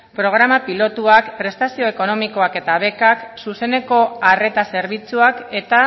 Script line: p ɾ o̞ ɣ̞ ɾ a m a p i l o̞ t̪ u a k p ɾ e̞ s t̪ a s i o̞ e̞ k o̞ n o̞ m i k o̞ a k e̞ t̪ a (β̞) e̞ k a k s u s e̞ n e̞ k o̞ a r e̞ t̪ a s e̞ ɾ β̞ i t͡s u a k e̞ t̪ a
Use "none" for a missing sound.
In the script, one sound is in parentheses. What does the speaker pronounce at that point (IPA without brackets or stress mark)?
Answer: β̞